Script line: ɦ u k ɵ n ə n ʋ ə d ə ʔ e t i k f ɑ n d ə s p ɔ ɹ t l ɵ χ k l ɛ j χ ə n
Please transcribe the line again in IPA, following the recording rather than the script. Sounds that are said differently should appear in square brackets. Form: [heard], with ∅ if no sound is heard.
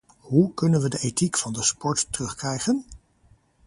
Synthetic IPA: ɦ u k ɵ n ə n ʋ ə d ə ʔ e t i k f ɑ n d ə s p ɔ ɹ t [r] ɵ χ k [r] ɛ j χ ə n

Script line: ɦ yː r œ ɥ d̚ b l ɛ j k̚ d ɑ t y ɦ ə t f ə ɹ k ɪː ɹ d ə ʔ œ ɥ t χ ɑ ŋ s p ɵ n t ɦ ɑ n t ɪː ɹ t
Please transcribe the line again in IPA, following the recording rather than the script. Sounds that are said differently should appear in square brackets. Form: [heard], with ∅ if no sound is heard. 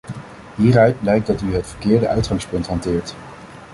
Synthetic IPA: ɦ [iː] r œ ɥ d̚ b l ɛ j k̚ d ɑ t y ɦ ə t f ə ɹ k ɪː ɹ d ə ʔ œ ɥ t χ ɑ ŋ s p ɵ n t ɦ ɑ n t ɪː ɹ t

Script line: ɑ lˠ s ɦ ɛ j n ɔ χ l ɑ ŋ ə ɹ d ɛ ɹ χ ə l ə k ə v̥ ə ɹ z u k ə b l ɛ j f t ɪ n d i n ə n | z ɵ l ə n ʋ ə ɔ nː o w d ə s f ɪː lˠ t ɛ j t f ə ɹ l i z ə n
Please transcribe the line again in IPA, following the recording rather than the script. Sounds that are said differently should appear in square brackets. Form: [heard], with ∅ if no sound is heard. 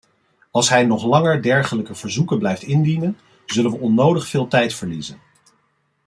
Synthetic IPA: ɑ lˠ s ɦ ɛ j n ɔ χ l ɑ ŋ ə ɹ d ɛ ɹ χ ə l ə k ə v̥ ə ɹ z u k ə b l ɛ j f t ɪ n d i n ə n | z ɵ l ə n ʋ ə ɔ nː o w d ə [χ] f ɪː lˠ t ɛ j t f ə ɹ l i z ə n

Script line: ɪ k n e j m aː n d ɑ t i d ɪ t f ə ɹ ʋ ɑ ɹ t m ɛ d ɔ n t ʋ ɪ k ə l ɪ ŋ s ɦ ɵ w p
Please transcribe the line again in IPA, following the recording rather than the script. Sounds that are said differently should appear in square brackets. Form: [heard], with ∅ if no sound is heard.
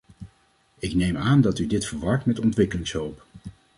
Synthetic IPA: ɪ k n e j m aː n d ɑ t [y] d ɪ t f ə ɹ ʋ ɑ ɹ t m ɛ [t] ɔ n t ʋ ɪ k ə l ɪ ŋ s ɦ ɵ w p

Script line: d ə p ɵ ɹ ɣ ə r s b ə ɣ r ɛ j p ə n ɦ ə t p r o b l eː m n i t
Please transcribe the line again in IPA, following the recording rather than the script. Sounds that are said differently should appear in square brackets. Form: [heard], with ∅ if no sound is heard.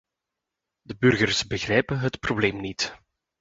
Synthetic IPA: d ə [b] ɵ [r] ɣ ə r s b ə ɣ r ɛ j p ə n ɦ ə t p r o b l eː m n i t

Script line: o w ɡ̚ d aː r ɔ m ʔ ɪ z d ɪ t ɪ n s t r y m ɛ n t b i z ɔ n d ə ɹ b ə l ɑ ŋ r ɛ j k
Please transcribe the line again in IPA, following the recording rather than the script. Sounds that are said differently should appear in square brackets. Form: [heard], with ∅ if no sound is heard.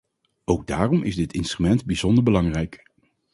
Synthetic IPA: o w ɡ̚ d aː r ɔ m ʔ ɪ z d ɪ t ɪ n s t r y m ɛ n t b i z ɔ n d ə ɹ b ə l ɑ ŋ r ɛ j k

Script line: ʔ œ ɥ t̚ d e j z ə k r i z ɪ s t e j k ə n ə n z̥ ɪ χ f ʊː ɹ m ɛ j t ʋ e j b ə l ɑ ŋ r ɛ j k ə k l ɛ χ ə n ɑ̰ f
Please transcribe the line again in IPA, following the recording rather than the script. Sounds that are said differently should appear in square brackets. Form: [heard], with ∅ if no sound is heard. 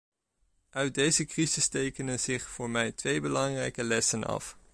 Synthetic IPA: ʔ œ ɥ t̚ d e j z ə k r i z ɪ s t e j k ə n ə n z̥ ɪ χ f ʊː ɹ m ɛ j t ʋ e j b ə l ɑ ŋ r ɛ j k ə [∅] l ɛ [s] ə n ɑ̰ f

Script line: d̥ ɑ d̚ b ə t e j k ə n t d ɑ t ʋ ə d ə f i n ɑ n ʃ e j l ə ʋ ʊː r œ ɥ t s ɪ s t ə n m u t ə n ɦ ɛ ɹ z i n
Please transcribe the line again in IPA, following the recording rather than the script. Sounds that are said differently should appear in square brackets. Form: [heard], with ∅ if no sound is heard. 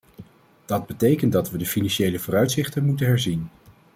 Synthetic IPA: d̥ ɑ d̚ b ə t e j k ə n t d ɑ t ʋ ə d ə f i n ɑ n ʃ e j l ə [v] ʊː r œ ɥ t s ɪ [χ] t ə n m u t ə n ɦ ɛ ɹ z i n

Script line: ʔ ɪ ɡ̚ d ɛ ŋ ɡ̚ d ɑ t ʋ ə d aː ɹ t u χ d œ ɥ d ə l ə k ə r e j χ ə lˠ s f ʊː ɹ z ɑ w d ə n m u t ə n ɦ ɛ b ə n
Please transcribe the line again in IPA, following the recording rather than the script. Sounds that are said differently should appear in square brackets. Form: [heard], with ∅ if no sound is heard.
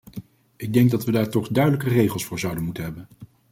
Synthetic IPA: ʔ ɪ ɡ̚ d ɛ ŋ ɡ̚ d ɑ t ʋ ə d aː ɹ t [ɔ] χ d œ ɥ d ə l ə k ə r e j χ ə lˠ s f ʊː ɹ z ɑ w d ə n m u t ə n ɦ ɛ b ə n

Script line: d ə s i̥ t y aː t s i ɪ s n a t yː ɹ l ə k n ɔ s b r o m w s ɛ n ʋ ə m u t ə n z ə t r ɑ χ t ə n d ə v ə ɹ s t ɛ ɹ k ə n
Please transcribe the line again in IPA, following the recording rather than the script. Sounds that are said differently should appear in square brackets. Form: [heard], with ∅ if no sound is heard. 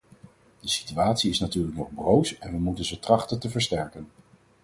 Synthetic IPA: d ə s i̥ t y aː t s i ɪ s n a t yː ɹ l ə k n ɔ [χ] b r o [∅] w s ɛ n ʋ ə m u t ə n z ə t r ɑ χ t ə n [t] ə v ə ɹ s t ɛ ɹ k ə n

